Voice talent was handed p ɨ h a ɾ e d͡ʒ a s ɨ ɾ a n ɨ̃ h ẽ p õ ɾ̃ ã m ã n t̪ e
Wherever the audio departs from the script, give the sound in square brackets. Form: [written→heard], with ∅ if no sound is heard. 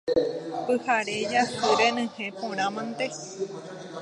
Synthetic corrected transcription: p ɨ h a ɾ e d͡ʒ a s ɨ ɾ [a→e] n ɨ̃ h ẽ p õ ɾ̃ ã m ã n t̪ e